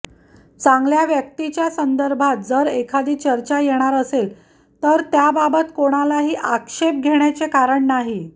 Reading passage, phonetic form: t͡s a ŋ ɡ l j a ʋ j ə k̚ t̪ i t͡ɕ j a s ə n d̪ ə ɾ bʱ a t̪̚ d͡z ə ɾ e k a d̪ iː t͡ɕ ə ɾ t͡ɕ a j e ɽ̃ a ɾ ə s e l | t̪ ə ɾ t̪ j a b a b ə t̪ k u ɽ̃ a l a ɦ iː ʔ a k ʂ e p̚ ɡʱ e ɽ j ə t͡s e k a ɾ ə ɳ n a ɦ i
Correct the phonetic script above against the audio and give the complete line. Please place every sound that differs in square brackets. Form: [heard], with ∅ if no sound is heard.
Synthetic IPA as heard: t͡s a ŋ ɡ l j a ʋ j ə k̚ t̪ i t͡ɕ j a s ə n d̪ ə ɾ bʱ a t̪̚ d͡z ə ɾ e [kʰ] a d̪ iː t͡ɕ ə ɾ t͡ɕ a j e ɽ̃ a ɾ ə s e l | t̪ ə ɾ t̪ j a b a b ə t̪ k [o] ɽ̃ a l a ɦ iː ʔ a k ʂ e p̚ ɡʱ e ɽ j [a] t͡s e k a ɾ ə ɳ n a ɦ i